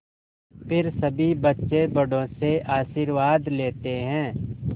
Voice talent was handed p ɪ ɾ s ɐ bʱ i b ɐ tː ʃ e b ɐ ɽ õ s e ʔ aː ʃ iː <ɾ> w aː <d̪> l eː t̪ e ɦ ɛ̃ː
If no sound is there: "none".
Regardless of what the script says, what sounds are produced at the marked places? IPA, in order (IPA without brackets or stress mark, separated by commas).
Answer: ɾ, d̪